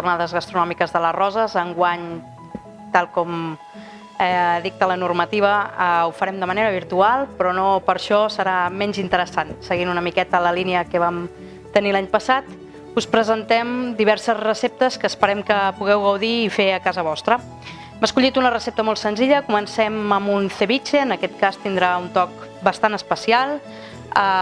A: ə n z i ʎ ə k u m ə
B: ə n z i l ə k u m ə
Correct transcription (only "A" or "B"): A